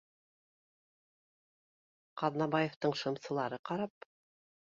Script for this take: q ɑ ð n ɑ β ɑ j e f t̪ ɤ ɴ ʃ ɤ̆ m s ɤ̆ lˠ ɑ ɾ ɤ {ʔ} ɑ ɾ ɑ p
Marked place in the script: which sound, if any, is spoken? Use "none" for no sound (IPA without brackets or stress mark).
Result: q